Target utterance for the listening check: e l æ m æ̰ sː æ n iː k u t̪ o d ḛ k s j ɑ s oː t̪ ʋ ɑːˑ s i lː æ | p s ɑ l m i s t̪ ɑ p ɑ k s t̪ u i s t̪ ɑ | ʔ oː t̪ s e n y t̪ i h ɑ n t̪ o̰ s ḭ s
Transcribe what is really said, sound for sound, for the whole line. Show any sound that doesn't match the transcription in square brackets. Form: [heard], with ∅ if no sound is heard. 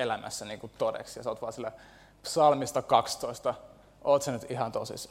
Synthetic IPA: e l æ m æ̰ sː æ n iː k u t̪ o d ḛ k s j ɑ s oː t̪ ʋ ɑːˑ s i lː æ | p s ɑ l m i s t̪ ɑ [k] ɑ k s t̪ [o] i s t̪ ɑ | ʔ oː t̪ s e n y t̪ i h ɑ n t̪ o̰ s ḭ s